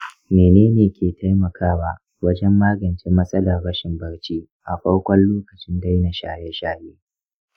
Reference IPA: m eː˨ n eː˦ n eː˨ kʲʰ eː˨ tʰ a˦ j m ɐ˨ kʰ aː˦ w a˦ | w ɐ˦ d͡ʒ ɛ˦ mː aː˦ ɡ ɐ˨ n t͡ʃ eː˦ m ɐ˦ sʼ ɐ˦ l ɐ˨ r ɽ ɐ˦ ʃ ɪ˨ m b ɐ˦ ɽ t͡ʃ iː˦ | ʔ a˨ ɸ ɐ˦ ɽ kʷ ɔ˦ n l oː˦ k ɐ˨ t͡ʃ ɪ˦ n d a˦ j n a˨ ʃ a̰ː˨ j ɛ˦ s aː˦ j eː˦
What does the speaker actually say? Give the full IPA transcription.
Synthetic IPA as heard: m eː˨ n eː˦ n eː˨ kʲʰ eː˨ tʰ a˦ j m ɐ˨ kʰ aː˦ w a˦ | w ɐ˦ d͡ʒ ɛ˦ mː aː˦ ɡ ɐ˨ n t͡ʃ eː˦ m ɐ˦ sʼ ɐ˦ l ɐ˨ r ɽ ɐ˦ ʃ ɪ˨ m b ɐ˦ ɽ t͡ʃ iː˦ | ʔ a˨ ɸ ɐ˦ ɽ kʷ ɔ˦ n l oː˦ k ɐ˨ t͡ʃ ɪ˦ n d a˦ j n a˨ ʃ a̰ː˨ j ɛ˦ ʃ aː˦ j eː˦